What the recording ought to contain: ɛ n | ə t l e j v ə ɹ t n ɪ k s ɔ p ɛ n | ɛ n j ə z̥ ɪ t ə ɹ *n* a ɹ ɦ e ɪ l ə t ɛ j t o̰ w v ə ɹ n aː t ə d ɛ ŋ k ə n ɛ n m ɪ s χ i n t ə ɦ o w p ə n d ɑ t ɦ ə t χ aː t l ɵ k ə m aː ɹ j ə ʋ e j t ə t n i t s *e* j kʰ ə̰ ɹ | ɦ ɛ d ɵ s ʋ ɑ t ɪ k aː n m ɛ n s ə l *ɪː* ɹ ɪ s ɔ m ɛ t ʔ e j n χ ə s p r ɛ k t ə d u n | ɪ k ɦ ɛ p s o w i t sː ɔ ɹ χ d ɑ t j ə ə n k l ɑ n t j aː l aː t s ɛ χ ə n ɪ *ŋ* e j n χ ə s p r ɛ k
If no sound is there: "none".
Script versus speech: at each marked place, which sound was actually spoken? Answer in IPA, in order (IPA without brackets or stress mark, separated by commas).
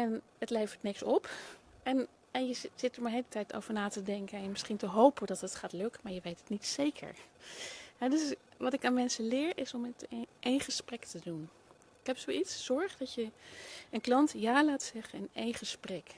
m, e, ɪː, n